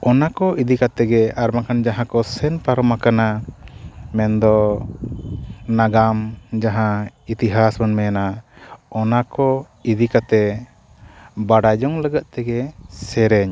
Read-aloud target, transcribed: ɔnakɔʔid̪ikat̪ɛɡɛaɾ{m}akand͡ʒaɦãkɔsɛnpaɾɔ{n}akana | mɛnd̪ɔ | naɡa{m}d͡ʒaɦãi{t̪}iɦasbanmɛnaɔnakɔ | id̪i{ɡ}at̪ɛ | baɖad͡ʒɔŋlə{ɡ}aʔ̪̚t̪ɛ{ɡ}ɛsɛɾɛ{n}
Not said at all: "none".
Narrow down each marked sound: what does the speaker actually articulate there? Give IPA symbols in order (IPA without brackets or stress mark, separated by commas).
m, m, m, t̪, k, ɡ, ɡ, ɲ